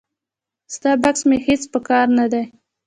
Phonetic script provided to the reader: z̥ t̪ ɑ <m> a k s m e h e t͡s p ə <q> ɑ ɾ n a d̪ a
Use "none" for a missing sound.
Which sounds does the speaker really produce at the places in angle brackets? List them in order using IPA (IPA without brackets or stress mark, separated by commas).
b, k